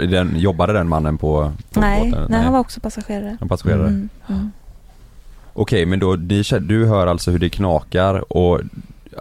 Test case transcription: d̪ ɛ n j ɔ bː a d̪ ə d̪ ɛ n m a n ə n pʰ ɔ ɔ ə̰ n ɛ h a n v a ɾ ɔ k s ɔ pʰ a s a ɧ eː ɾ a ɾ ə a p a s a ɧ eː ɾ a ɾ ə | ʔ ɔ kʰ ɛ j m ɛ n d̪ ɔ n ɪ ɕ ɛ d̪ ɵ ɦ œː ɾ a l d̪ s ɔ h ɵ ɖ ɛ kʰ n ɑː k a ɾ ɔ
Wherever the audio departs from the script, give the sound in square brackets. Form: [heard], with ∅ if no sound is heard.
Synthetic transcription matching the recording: d̪ ɛ n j ɔ bː a d̪ ə d̪ ɛ n m a [nː] ə n pʰ ɔ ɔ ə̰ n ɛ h a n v a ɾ ɔ k s ɔ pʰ a s a ɧ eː ɾ a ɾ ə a p a s a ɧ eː ɾ a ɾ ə | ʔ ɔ kʰ ɛ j m ɛ n d̪ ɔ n ɪ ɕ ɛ d̪ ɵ ɦ œː ɾ a l [t̪] s ɔ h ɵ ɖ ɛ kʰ n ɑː k a ɾ ɔ